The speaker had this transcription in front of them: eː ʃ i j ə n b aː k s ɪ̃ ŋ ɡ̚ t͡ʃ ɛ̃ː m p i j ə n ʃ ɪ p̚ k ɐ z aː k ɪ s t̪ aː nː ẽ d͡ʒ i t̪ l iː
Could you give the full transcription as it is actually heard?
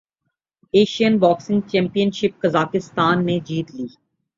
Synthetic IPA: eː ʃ i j ə n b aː k s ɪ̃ ŋ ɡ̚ t͡ʃ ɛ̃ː m p i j ə n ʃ ɪ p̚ k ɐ z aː k ɪ s t̪ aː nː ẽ d͡ʒ iː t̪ l iː